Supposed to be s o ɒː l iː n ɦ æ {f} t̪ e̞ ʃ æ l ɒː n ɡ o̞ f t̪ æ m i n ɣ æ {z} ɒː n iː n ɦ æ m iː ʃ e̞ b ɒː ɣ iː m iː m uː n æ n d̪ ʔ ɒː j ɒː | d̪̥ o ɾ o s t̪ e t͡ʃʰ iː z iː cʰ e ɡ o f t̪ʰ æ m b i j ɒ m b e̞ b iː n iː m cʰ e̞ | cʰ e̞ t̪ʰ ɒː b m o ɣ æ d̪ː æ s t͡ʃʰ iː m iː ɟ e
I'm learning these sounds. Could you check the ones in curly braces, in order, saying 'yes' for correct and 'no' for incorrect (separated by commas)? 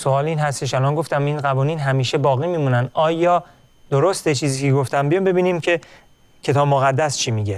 no, no